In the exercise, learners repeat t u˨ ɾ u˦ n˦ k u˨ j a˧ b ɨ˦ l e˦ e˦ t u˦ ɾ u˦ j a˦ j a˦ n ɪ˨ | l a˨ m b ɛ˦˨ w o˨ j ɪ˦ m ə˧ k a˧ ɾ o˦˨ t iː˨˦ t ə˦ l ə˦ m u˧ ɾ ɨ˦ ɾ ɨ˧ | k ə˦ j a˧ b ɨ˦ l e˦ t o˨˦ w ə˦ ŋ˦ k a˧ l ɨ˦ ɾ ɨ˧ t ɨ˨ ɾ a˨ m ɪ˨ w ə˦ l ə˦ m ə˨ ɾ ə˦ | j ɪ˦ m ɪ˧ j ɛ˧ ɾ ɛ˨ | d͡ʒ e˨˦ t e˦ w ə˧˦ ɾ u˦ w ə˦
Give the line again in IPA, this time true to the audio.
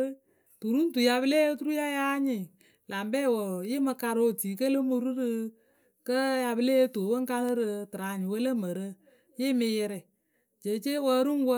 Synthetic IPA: t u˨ ɾ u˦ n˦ t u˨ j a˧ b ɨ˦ l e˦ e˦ t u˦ ɾ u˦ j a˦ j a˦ ɲ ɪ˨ | l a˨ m b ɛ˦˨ w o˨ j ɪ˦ m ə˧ k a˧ ɾ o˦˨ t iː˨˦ k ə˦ l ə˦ m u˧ ɾ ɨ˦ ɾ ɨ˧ | k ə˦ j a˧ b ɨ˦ l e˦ t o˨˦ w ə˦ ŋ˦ k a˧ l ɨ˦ ɾ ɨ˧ t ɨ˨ ɾ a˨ ɲ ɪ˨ w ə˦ l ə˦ m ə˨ ɾ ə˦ | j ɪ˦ m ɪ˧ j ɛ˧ ɾ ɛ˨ | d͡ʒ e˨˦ t͡ʃ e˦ w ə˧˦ ɾ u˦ w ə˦